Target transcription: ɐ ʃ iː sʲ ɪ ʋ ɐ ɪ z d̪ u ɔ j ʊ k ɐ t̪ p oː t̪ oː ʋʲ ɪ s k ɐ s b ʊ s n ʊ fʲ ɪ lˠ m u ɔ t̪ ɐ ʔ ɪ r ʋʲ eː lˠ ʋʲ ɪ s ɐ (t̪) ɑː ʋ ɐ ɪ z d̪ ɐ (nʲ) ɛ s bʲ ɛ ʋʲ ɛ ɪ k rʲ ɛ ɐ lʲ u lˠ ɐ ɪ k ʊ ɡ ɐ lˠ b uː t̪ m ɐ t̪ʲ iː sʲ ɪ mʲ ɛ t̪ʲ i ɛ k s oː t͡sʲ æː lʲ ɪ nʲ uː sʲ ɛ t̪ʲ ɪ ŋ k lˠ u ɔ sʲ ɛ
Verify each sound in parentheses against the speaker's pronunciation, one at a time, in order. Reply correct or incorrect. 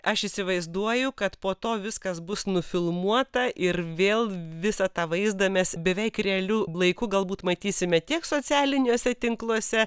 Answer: correct, incorrect: mʲ

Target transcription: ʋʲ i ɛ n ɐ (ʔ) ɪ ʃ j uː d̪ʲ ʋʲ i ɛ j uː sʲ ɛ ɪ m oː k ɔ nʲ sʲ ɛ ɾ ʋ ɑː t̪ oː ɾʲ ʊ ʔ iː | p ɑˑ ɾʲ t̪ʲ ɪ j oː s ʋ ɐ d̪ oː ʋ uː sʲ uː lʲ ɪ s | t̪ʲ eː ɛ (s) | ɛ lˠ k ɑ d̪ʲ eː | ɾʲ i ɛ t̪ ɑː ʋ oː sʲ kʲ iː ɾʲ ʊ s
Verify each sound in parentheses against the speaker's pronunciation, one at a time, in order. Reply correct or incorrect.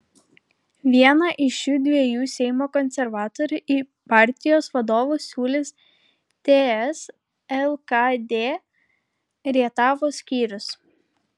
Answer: correct, correct

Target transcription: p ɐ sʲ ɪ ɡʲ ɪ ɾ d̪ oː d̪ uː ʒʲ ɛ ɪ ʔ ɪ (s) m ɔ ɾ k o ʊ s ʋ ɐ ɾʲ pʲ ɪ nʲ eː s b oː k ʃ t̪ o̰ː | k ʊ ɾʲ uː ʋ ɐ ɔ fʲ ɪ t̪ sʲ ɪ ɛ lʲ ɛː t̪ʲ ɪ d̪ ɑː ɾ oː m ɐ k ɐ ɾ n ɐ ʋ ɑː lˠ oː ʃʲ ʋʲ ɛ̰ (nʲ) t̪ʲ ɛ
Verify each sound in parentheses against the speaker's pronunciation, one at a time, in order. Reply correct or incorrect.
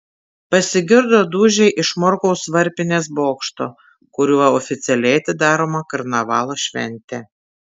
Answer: incorrect: ʃ, correct

